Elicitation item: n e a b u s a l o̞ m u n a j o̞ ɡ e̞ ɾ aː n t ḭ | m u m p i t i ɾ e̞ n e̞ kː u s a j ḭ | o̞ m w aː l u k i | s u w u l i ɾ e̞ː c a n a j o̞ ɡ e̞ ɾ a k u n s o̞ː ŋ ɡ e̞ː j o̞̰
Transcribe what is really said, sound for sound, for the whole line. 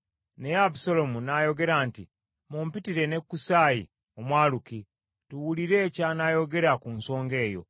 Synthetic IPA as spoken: n e a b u s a l o̞ m u n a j o̞ ɡ e̞ ɾ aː n t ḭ | m u m p i t i ɾ e̞ n e̞ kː u s a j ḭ | o̞ m w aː l u k i | t u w u l i ɾ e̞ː c a n a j o̞ ɡ e̞ ɾ a k u n s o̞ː ŋ ɡ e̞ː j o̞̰

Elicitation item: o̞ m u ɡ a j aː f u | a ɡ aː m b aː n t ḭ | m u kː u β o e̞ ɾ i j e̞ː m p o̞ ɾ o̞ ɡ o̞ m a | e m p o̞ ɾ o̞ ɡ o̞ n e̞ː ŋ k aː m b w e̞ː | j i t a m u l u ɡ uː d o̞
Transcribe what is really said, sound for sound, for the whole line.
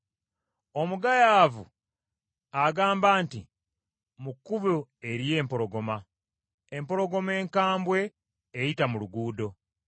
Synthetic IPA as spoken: o̞ m u ɡ a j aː v u | a ɡ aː m b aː n t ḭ | m u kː u β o e̞ ɾ i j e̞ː m p o̞ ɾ o̞ ɡ o̞ m a | e m p o̞ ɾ o̞ ɡ o̞ m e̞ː ŋ k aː m b w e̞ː | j i t a m u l u ɡ uː d o̞

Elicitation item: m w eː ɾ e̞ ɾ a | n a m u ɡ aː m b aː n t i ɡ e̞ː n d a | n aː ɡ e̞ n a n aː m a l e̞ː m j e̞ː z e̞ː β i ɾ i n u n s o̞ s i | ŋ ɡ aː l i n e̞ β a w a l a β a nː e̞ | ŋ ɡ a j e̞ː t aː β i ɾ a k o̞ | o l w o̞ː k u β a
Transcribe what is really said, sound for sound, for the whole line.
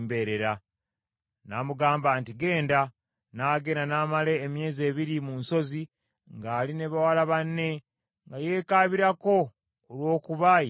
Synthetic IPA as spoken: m b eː ɾ e̞ ɾ a | n a m u ɡ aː m b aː n t i ɡ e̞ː n d a | n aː ɡ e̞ n a n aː m a l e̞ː m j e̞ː z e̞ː β i ɾ i m u n s o̞ z i | ŋ ɡ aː l i n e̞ β a w a l a β a nː e̞ | ŋ ɡ a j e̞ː k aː β i ɾ a k o̞ | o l w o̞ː k u β a

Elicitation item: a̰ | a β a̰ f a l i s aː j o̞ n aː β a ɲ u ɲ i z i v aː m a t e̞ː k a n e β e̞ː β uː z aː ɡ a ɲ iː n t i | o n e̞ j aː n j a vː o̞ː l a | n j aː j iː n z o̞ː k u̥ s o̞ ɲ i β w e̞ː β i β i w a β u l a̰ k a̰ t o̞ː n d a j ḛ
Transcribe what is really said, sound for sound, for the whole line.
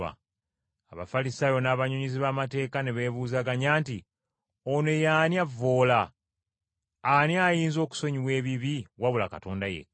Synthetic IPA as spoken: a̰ | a β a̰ f a l i s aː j o̞ n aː β a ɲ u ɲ i z i β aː m a t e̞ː k a n e β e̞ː β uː z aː ɡ a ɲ aː n t i | o n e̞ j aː n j a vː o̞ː l a | n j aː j iː n z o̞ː k u̥ s o̞ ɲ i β w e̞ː β i β i w a β u l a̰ k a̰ t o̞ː n d a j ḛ

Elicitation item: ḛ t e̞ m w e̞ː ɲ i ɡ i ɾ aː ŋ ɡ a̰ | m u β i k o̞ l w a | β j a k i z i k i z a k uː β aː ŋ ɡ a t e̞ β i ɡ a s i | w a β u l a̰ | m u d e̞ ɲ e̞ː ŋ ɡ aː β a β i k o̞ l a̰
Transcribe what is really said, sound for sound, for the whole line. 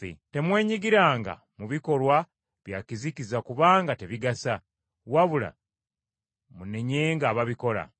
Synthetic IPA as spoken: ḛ t e̞ m w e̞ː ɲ i ɡ i ɾ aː ŋ ɡ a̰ | m u β i k o̞ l w a | β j a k i z i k i z a k u β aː ŋ ɡ a t e̞ β i ɡ a s a | w a β u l a̰ | m u n e̞ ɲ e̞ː ŋ ɡ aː β a β i k o̞ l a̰

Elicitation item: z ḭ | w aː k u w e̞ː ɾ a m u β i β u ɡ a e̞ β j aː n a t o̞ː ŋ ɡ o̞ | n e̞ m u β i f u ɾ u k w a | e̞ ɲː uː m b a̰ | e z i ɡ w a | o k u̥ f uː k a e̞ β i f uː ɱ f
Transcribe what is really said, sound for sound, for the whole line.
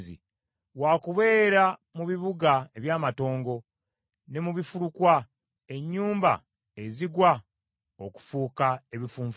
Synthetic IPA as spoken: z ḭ | w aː k u β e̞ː ɾ a m u β i β u ɡ a e̞ β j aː m a t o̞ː ŋ ɡ o̞ | n e̞ m u β i f u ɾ u k w a | e̞ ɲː uː m b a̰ | e z i ɡ w a | o k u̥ f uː k a e̞ β i f uː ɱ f

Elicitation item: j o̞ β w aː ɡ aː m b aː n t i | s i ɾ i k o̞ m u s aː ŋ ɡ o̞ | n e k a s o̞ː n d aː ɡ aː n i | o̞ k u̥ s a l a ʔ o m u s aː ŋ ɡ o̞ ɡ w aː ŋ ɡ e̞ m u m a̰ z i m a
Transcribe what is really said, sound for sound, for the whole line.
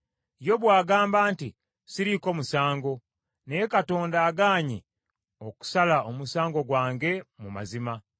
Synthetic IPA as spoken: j o̞ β w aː ɡ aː m b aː n t i | s i ɾ i k o̞ m u s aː ŋ ɡ o̞ | n e k a t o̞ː n d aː ɡ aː ɲ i | o̞ k u̥ s a l a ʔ o m u s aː ŋ ɡ o̞ ɡ w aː ŋ ɡ e̞ m u m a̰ z i m a

